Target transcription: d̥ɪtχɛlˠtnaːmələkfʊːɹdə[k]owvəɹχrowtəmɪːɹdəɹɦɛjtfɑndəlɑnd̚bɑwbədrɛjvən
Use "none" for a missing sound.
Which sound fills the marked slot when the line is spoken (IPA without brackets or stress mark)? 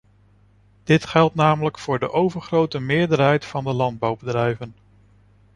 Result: ʔ